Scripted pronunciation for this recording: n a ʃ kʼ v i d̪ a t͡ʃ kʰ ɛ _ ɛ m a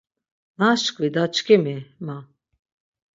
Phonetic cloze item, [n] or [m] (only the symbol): m